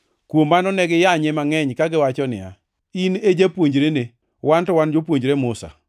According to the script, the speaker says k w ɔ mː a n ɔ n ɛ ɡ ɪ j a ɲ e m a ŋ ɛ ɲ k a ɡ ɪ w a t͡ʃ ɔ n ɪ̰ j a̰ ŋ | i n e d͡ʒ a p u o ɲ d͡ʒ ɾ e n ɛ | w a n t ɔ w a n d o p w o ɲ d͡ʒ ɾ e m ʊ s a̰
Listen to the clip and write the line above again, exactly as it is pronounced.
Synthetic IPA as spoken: k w o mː a n ɔ n ɛ ɡ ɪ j a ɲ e m a ŋ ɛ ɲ k a ɡ ɪ w a t͡ʃ ɔ n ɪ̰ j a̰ | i n e d͡ʒ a p w o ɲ d͡ʒ ɾ e n e | w a n t ɔ w a n d͡ʒ o p w o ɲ d͡ʒ ɾ e m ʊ s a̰